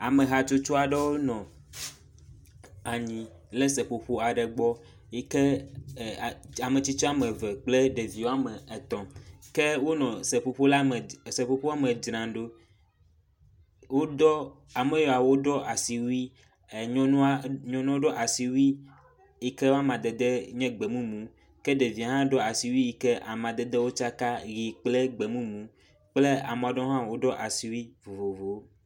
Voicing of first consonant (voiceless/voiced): voiced